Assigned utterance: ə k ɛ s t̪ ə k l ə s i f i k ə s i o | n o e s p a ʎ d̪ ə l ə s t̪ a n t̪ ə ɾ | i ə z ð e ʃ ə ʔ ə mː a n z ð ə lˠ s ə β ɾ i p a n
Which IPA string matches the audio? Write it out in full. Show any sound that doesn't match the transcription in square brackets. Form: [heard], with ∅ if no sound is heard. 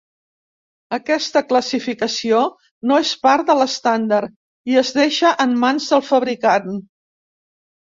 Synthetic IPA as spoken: ə k ɛ s t̪ ə k l ə s i f i k ə s i o | n o e s p a [ɾ] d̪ ə l ə s t̪ a n [d̪] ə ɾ | i ə z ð e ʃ ə ʔ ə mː a n z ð ə lˠ [f] ə β ɾ i [k] a n